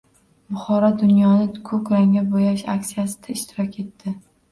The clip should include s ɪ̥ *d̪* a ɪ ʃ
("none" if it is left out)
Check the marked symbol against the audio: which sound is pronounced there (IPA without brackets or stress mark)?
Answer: d̪